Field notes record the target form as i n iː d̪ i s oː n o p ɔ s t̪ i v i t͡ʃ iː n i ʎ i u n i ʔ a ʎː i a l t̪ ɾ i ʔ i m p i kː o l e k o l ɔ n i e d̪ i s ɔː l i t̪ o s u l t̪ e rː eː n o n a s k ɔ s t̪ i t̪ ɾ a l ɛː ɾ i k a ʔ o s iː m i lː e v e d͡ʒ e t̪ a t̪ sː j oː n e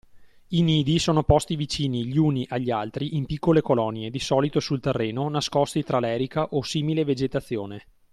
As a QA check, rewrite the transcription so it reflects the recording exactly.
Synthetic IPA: i n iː d̪ i s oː n o p ɔ s t̪ i v i t͡ʃ iː n i ʎ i u n i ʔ a ʎː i a l t̪ ɾ i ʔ i m p i kː o l e k o l ɔ n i e d̪ i s ɔː l i t̪ o s u l t̪ e rː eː n o n a s k ɔ s t̪ i t̪ ɾ a l ɛː ɾ i k a ʔ o s iː m i l e v e d͡ʒ e t̪ a t̪ sː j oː n e